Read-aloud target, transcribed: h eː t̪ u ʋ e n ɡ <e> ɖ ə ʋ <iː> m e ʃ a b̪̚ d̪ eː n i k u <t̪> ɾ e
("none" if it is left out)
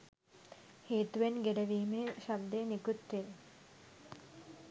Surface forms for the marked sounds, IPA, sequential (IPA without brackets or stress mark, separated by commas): e, iː, t̪